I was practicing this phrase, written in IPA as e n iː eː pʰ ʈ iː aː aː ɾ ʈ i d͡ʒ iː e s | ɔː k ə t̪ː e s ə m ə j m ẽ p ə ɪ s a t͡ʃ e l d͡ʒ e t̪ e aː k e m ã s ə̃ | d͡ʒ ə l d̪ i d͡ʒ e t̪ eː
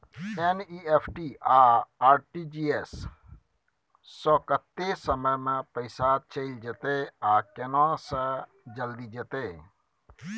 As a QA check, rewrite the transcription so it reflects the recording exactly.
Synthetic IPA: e n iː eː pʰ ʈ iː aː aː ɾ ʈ i d͡ʒ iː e s | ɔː k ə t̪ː e s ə m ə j m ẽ p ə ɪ s a t͡ʃ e l d͡ʒ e t̪ e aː k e n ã s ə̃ | d͡ʒ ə l d̪ i d͡ʒ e t̪ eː